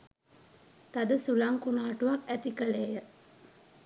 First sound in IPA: t̪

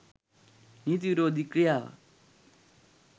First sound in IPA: n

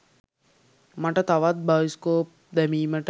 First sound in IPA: m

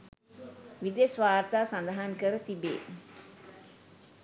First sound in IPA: ʋ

